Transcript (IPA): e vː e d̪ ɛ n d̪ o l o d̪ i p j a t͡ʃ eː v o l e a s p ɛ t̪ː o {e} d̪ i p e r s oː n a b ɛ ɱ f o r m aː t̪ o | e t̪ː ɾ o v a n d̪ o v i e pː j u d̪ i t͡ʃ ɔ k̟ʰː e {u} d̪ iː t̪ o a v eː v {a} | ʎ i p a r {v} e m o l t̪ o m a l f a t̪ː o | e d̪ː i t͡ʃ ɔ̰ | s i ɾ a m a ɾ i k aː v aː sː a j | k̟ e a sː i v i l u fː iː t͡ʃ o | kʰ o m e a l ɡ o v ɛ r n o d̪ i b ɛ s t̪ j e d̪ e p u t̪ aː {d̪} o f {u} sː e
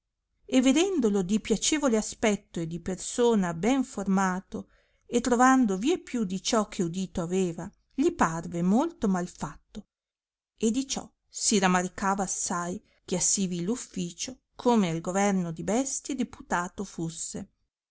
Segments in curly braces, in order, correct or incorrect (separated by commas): correct, correct, correct, correct, incorrect, correct